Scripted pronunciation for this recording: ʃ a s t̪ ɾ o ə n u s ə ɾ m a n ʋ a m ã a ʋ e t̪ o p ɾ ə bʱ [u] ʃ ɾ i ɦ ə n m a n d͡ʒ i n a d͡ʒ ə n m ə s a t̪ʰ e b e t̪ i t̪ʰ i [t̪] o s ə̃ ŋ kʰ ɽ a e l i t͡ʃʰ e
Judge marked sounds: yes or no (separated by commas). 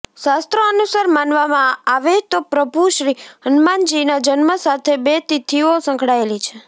yes, no